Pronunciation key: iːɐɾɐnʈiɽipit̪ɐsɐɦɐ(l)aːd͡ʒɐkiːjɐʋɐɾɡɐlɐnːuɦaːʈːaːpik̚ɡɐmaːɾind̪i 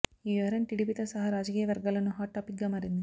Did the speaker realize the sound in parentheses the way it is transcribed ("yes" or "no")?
no